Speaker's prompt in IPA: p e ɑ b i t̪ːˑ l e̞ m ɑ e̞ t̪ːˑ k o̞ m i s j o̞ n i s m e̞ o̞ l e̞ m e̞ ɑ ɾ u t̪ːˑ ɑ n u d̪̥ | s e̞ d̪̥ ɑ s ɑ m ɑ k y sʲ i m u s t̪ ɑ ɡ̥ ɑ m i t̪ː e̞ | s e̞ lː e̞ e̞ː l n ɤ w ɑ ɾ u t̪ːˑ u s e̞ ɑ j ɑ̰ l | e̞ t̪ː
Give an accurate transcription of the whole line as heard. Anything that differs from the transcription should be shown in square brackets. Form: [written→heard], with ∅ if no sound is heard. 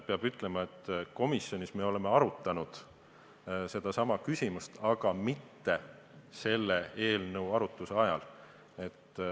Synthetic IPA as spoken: p e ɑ b [i→y] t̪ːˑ l e̞ m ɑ e̞ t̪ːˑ k o̞ m i s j o̞ n i s m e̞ o̞ l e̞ m e̞ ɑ ɾ u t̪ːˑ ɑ n u d̪̥ | s e̞ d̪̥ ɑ s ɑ m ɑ k y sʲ i m u s t̪ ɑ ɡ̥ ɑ m i t̪ː e̞ | s e̞ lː e̞ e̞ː l n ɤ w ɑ ɾ u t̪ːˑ u s e̞ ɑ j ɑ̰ l | e̞ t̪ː

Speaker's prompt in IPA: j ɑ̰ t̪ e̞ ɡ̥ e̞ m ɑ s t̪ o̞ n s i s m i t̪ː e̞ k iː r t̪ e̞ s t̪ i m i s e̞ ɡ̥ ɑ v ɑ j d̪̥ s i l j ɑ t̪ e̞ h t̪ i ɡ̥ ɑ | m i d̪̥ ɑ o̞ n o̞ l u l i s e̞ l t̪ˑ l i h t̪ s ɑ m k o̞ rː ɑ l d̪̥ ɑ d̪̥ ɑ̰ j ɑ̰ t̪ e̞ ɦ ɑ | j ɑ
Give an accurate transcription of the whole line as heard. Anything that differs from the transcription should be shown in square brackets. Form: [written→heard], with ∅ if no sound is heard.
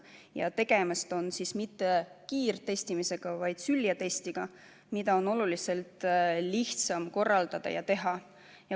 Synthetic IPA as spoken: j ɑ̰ t̪ e̞ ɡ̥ e̞ m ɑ s t̪ o̞ n s i s m i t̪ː e̞ k iː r t̪ e̞ s t̪ i m i s e̞ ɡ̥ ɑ v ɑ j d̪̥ s [i→y] l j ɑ t̪ e̞ [h→s] t̪ i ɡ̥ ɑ | m i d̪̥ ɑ o̞ n o̞ l u l i s e̞ l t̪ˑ l i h t̪ s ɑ m k o̞ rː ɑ l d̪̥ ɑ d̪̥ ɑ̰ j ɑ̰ t̪ e̞ ɦ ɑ | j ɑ

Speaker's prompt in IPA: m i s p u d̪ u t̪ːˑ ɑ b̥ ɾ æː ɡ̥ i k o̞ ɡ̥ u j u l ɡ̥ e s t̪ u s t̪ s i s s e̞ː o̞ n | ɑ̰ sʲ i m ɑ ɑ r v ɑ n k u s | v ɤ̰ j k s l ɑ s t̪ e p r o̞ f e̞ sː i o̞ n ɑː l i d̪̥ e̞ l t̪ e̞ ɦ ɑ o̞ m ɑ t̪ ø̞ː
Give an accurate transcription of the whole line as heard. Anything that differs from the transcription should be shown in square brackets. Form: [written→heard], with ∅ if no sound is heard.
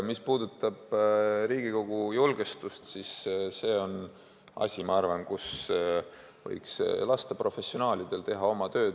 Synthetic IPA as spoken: m i s p [u→uː] d̪ u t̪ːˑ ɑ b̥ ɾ [æː→iː] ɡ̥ i k o̞ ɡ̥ u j u l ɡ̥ e s t̪ u s t̪ s i s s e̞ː o̞ n | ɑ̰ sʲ i m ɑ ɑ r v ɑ n k u s | v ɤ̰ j k s l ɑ s t̪ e p r o̞ f e̞ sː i o̞ n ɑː l i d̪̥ e̞ l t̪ e̞ ɦ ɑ o̞ m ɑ t̪ ø̞ː

